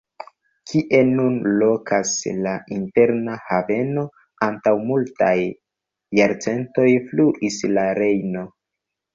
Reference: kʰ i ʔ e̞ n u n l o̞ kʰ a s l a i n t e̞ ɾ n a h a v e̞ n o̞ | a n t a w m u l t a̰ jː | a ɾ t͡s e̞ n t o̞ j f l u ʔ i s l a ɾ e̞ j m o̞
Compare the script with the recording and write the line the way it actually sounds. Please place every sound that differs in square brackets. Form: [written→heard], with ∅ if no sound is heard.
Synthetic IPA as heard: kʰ i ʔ e̞ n u n l o̞ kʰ a s l a i n t e̞ ɾ n a h a v e̞ n o̞ | a n t a w m u l t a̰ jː | a ɾ t͡s e̞ n t o̞ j f l u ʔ i s l a ɾ e̞ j [m→n] o̞